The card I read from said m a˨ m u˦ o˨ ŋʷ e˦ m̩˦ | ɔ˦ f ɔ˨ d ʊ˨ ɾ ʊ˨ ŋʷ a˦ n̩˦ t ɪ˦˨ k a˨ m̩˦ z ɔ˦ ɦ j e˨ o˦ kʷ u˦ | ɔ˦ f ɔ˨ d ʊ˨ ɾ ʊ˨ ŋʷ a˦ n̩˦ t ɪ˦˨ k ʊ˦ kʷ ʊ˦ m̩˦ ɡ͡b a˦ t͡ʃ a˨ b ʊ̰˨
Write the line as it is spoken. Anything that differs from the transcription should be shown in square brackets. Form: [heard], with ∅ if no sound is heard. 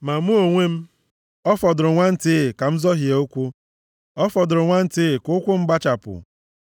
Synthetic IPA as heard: m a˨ m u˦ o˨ ŋʷ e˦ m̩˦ | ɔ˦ f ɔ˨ d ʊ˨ ɾ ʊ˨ ŋʷ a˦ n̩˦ t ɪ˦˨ k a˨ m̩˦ z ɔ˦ ɦ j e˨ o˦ kʷ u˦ | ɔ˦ f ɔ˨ d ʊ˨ ɾ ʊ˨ ŋʷ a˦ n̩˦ t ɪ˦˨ k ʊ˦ kʷ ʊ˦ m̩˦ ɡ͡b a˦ t͡ʃ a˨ [p] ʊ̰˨